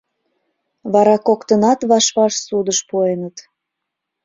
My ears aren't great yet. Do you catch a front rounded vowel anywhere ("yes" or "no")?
no